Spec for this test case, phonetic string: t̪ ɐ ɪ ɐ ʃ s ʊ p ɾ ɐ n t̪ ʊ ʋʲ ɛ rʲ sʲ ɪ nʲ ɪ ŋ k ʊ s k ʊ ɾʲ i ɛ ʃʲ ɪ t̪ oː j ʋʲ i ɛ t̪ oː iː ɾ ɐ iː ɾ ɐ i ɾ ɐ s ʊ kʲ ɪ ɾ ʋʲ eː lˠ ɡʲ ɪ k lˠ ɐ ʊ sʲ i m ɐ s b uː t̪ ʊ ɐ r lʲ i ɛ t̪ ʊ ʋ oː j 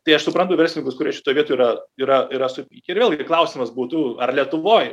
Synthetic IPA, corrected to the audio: t̪ ɐ ɪ ɐ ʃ s ʊ p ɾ ɐ n t̪ ʊ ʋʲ ɛ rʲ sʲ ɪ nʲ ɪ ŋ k ʊ s k ʊ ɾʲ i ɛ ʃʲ ɪ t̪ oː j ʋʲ i ɛ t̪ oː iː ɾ ɐ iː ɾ ɐ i ɾ ɐ s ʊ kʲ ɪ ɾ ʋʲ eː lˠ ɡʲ ɪ k lˠ ɐ ʊ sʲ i m ɐ s b uː t̪ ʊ ɐ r lʲ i ɛ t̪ ʊ ʋ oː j